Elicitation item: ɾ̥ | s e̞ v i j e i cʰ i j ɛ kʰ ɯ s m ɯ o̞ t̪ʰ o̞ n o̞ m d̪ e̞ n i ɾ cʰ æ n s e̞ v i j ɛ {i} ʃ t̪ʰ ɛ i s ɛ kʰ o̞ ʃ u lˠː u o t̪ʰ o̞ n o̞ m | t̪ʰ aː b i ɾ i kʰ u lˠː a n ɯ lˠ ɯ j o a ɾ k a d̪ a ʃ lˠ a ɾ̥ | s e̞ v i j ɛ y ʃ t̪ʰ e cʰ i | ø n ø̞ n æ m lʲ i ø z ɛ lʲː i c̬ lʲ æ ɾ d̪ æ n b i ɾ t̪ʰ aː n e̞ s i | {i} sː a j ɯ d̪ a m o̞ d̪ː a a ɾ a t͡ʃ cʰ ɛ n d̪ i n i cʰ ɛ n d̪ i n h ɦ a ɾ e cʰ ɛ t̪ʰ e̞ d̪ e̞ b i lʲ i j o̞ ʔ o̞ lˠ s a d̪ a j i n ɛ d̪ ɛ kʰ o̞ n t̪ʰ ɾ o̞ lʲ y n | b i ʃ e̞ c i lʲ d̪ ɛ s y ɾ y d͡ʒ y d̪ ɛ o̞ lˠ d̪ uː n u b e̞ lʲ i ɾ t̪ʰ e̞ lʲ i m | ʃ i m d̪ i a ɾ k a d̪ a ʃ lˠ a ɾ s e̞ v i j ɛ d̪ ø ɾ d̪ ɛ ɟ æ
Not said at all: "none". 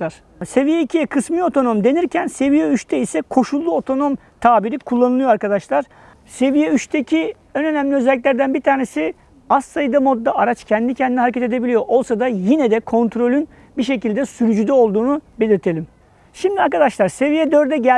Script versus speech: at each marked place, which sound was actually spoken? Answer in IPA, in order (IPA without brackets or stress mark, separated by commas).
y, a